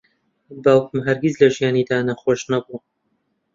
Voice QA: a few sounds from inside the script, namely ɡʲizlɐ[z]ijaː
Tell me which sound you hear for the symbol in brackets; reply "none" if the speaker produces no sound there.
ʒ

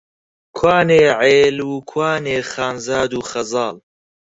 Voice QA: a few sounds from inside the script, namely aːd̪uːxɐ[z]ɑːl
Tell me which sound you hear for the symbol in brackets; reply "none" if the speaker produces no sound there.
z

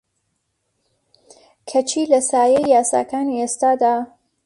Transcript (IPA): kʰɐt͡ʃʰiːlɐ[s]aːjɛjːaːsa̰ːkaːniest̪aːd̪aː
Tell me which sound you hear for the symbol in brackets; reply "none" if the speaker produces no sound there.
s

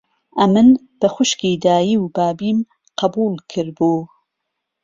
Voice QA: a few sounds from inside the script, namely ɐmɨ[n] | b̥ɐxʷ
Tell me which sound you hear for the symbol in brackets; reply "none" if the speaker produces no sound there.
n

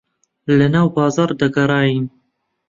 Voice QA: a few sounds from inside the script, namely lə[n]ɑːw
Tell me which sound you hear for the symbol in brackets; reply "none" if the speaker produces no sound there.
n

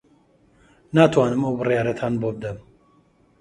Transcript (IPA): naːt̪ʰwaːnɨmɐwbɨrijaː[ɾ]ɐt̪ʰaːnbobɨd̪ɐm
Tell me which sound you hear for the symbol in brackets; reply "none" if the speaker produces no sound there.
ɾ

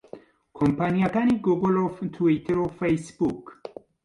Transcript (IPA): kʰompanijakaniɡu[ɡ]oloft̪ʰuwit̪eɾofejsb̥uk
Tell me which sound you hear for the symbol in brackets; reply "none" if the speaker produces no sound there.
ɡ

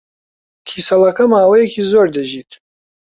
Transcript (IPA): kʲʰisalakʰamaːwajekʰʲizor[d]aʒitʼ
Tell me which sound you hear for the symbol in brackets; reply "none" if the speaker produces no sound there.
d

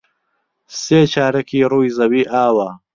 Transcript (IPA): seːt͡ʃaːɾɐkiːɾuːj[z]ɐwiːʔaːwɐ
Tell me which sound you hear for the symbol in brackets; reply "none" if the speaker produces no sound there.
z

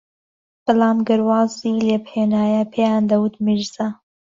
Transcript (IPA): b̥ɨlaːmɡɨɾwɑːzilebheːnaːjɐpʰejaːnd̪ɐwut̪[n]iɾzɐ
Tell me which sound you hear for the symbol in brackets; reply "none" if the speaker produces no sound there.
m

